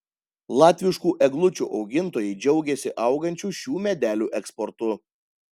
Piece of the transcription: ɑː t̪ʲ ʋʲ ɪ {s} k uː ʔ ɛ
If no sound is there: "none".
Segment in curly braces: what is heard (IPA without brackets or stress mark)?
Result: ʃ